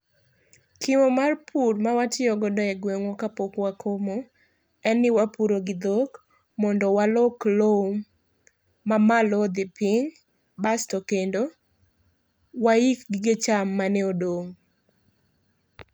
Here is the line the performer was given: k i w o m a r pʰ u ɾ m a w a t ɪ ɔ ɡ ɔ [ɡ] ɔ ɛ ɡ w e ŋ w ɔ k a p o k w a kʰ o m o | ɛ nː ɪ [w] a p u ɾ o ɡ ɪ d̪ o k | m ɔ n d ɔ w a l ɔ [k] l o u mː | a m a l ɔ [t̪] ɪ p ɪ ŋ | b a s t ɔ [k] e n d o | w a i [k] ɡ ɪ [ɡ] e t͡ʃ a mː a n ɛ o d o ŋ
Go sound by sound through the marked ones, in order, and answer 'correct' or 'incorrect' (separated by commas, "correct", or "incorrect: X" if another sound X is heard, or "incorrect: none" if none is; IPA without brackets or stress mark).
incorrect: d, correct, correct, incorrect: d̪, correct, correct, correct